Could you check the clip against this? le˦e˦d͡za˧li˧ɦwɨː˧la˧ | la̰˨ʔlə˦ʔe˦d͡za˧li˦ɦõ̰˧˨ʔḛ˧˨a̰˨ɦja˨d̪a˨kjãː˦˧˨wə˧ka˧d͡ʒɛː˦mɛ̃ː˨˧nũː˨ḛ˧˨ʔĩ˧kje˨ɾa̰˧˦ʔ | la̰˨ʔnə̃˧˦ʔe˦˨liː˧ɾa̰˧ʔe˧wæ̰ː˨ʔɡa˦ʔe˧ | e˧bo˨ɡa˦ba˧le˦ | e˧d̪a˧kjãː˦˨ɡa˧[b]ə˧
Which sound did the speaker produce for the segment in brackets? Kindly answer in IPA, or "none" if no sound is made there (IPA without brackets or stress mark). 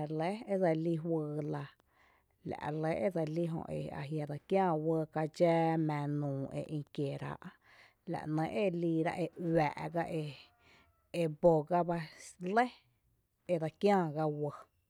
w